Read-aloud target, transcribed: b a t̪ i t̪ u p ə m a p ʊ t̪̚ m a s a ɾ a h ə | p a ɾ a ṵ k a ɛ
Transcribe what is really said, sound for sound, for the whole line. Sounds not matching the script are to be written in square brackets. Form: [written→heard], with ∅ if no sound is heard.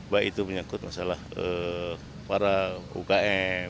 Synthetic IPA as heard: b a [t̪→∅] i t̪ u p ə [m→ɲ] a [p→k] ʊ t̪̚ m a s a [ɾ→l] a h ə | p a ɾ a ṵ k a ɛ

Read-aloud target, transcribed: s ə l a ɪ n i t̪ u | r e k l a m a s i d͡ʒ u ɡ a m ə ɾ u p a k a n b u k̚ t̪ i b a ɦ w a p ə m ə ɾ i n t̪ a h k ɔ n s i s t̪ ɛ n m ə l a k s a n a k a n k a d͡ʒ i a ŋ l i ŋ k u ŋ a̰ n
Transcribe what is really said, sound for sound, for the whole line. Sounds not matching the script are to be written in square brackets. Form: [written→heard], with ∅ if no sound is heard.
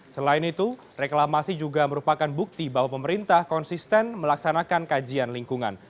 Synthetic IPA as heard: s ə l a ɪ n i t̪ u | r e k l a m a s i d͡ʒ u ɡ a m ə ɾ u p a k a n b u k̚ t̪ i b a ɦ w a p ə m ə ɾ i n t̪ a h k ɔ n s i s t̪ ɛ n m ə l a k s a n a k a n k a d͡ʒ i a [ŋ→n] l i ŋ k u ŋ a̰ n

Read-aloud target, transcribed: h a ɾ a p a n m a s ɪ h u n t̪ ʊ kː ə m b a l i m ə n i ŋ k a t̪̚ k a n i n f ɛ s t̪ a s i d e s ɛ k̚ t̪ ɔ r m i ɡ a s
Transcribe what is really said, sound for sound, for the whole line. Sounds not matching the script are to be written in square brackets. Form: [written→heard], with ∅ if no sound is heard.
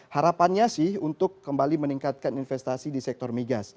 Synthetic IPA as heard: h a ɾ a p a n [m→ɲ] a s ɪ h u n t̪ ʊ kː ə m b a l i m ə n i ŋ k a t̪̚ k a n i n f ɛ s t̪ a s i d [e→i] s ɛ k̚ t̪ ɔ r m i ɡ a s

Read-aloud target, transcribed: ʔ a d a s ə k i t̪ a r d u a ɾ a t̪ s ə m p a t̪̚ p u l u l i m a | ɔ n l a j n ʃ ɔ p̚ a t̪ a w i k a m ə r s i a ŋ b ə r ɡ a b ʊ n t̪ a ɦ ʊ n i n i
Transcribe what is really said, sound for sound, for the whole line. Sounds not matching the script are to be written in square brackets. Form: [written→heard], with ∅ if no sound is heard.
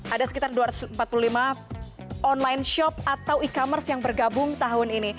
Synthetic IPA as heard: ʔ a d a s ə k i t̪ a r d u a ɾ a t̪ s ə m p a t̪̚ p u l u l i m a | ɔ n l a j n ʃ ɔ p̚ a t̪ a w i k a m ə r s [i→j] a ŋ b ə r ɡ a b ʊ [n→ŋ] t̪ a ɦ ʊ n i n i

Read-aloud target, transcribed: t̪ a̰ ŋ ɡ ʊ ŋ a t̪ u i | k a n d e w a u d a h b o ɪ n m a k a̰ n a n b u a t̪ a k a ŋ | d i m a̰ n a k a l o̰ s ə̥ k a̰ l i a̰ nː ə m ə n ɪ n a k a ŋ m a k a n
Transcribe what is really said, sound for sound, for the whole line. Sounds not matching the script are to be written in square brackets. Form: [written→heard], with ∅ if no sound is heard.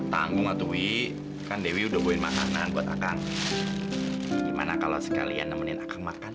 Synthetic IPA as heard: t̪ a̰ ŋ ɡ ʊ ŋ a t̪ u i | k a n d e w [a→i] u d a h b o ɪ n m a k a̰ n a n b u a t̪ a k a ŋ | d i m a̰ n a k a l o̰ s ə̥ k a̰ l i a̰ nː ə m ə n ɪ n a k a ŋ m a k a n

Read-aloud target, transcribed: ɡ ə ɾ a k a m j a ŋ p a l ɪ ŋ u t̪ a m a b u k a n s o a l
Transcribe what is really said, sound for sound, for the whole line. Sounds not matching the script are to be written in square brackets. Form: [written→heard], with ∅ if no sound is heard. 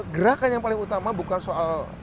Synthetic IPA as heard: ɡ ə ɾ a k a [m→n] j a ŋ p a l ɪ ŋ u t̪ a m a b u k a n s o a l

